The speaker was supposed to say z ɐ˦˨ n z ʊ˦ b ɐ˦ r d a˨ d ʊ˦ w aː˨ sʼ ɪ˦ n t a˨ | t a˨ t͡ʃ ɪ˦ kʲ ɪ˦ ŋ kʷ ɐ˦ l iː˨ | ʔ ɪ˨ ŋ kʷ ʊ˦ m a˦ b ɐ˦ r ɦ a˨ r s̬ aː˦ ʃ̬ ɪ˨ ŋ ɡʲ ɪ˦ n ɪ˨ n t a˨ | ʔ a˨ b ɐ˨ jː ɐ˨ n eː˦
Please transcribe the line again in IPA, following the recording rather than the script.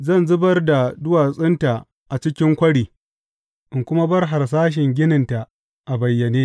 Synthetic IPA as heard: z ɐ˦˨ n z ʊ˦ b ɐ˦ r d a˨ d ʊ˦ w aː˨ sʼ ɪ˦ n t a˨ | ʔ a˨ t͡ʃ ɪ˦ kʲ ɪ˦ ŋ kʷ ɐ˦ ɽ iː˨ | ʔ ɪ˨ ŋ kʷ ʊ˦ m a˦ b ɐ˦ r ɦ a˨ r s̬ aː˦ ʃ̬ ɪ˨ ŋ ɡʲ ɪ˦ n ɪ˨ n t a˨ | ʔ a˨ b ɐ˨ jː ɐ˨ n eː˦